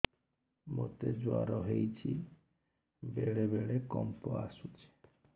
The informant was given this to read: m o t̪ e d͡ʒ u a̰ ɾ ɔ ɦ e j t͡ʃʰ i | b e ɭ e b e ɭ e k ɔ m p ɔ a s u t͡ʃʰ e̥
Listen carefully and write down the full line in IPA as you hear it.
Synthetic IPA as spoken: m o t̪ e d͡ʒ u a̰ ɾ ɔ ɦ e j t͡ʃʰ i | b e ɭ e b e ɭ e k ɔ m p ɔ a s u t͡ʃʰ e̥